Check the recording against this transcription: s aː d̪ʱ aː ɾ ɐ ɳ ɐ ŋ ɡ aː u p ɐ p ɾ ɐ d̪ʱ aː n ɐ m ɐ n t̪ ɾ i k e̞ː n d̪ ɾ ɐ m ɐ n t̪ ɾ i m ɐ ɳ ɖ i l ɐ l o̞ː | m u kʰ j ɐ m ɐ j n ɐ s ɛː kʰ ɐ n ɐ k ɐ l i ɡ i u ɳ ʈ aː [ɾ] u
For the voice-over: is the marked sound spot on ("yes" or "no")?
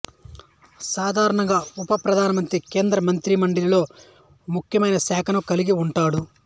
no